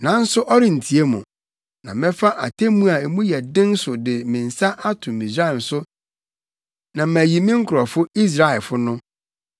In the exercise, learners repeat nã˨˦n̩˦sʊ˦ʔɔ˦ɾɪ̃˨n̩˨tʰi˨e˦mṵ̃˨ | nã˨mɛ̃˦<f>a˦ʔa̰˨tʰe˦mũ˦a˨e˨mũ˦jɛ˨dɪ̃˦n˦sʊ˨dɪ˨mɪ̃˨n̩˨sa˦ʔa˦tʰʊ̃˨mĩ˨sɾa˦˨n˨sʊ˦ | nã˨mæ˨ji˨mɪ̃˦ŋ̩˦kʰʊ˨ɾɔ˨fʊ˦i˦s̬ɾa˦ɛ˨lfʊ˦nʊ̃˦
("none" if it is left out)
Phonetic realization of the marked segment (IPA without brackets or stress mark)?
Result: f